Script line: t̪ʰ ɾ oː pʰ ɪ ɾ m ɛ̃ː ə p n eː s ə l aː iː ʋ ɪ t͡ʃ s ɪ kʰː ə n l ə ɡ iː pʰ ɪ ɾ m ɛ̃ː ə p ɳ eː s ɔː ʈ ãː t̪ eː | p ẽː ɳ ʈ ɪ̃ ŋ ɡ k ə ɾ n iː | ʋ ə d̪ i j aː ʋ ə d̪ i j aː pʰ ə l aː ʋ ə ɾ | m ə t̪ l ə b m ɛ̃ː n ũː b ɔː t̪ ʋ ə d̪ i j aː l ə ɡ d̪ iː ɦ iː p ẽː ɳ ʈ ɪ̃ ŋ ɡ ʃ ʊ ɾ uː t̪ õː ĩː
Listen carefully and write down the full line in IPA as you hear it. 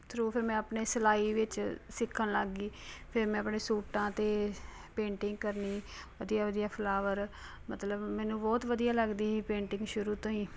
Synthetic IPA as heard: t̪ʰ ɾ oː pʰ ɪ ɾ m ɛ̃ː ə p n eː s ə l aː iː ʋ ɪ t͡ʃ s ɪ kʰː ə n l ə ɡ iː pʰ ɪ ɾ m ɛ̃ː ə p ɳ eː s uː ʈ ãː t̪ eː | p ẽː ɳ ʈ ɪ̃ ŋ ɡ k ə ɾ n iː | ʋ ə d̪ i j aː ʋ ə d̪ i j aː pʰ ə l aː ʋ ə ɾ | m ə t̪ l ə b m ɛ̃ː n ũː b ɔː t̪ ʋ ə d̪ i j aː l ə ɡ d̪ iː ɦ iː p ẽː ɳ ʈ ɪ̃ ŋ ɡ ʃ ʊ ɾ uː t̪ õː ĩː

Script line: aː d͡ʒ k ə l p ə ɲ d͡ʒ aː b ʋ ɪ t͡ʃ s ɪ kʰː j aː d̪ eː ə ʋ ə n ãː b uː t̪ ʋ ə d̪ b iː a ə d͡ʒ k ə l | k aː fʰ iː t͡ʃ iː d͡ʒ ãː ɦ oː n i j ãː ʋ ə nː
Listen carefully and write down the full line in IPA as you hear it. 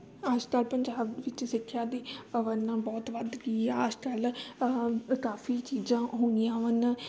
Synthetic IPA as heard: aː d͡ʒ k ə l p ə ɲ d͡ʒ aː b ʋ ɪ t͡ʃ s ɪ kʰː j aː d̪ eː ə ʋ ə n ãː b ɔː t̪ ʋ ə d̪ ɡ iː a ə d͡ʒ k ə l | k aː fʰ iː t͡ʃ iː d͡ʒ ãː ɦ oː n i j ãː ʋ ə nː

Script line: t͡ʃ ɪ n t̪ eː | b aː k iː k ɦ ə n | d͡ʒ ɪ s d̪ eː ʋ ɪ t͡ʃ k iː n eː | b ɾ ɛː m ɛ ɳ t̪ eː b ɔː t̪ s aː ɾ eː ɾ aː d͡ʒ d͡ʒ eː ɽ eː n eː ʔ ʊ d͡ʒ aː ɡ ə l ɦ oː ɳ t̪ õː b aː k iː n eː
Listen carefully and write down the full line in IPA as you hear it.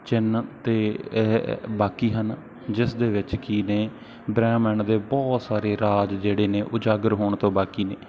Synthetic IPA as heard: t͡ʃ ɪ n t̪ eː | b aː k iː ɦ ə n | d͡ʒ ɪ s d̪ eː ʋ ɪ t͡ʃ k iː n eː | b ɾ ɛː m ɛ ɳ d̪ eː b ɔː t̪ s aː ɾ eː ɾ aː d͡ʒ d͡ʒ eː ɽ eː n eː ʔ ʊ d͡ʒ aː ɡ ə ɾ ɦ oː ɳ t̪ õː b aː k iː n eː

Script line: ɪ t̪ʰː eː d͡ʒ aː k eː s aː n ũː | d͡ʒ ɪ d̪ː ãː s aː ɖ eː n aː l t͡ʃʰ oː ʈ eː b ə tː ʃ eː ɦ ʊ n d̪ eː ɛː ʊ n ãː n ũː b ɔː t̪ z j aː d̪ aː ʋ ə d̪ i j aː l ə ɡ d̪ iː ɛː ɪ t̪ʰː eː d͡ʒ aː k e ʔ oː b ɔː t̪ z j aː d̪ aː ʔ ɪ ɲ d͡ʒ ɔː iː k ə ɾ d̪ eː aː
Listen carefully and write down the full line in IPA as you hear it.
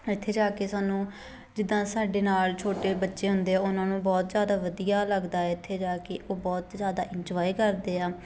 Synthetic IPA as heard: ɪ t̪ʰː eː d͡ʒ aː k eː s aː n ũː | d͡ʒ ɪ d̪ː ãː s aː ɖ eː n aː l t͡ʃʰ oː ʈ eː b ə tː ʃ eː ɦ ʊ n d̪ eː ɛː ʊ n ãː n ũː b ɔː t̪ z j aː d̪ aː ʋ ə d̪ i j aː l ə ɡ d̪ aː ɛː ɪ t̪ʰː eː d͡ʒ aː k e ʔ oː b ɔː t̪ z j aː d̪ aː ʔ ɪ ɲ d͡ʒ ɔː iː k ə ɾ d̪ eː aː

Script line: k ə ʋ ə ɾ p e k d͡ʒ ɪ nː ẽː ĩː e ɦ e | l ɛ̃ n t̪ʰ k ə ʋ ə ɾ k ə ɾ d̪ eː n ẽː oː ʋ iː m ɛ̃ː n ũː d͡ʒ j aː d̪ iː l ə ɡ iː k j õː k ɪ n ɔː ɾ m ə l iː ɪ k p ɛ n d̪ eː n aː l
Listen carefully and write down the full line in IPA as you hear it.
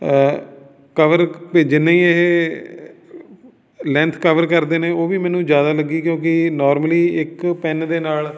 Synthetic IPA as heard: k ə ʋ ə ɾ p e d͡ʒ ɪ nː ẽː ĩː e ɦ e | l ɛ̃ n t̪ʰ k ə ʋ ə ɾ k ə ɾ d̪ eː n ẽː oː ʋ iː m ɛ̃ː n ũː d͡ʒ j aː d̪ aː l ə ɡ iː k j õː k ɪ n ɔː ɾ m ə l iː ɪ k p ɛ n d̪ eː n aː l

